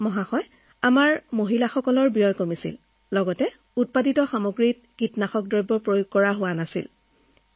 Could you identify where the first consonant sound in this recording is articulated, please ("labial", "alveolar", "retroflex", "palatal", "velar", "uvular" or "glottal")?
labial